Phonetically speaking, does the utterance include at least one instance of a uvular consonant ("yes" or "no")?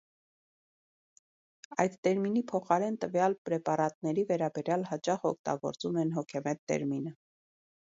yes